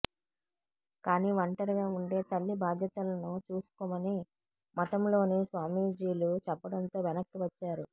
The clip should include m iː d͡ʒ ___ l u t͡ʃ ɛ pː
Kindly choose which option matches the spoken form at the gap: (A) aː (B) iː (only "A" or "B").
B